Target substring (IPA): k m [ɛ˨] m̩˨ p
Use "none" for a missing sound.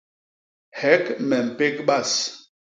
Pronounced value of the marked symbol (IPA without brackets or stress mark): ɛ˨